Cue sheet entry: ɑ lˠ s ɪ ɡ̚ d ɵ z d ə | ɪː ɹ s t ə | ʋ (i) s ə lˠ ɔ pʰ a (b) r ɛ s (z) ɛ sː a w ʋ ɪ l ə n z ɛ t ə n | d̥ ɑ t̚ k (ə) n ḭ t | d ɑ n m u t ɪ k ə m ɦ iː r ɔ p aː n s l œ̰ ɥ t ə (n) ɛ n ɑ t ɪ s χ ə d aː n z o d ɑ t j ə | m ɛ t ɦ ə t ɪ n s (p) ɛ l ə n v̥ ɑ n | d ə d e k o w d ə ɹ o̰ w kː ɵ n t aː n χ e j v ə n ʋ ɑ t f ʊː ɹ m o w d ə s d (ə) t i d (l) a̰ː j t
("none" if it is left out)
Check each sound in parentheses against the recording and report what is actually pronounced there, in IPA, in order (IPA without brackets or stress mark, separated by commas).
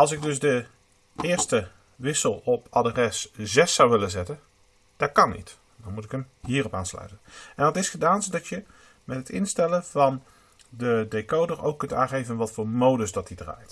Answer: ɪ, d, z, ɑ, n, t, ɑ, r